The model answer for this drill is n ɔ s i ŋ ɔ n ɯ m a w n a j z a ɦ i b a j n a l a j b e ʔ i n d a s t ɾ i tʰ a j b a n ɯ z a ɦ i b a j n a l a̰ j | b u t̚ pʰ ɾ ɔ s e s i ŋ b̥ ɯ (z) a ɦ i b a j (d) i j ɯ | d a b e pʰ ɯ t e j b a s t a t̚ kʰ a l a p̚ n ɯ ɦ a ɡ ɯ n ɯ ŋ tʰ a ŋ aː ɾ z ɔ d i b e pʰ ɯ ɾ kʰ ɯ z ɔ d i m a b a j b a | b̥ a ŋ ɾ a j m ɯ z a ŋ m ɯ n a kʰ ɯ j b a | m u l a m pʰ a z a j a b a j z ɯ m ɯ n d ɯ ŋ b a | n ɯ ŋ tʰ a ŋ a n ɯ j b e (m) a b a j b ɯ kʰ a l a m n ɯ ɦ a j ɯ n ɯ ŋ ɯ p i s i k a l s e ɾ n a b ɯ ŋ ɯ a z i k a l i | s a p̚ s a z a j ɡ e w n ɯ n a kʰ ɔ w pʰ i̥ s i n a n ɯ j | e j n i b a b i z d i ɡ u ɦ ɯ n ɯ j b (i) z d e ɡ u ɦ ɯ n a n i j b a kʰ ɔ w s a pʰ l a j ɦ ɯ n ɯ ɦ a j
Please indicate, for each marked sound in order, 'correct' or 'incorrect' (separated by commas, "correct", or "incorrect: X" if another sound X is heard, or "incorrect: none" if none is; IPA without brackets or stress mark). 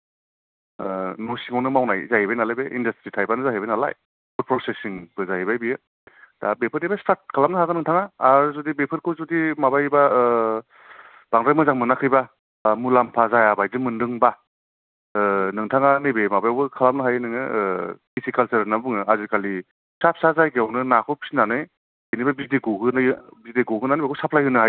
correct, incorrect: b, correct, correct